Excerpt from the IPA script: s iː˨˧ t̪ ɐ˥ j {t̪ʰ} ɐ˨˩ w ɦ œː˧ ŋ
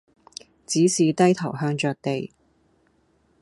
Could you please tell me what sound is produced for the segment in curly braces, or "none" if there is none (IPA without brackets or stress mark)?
t̪ʰ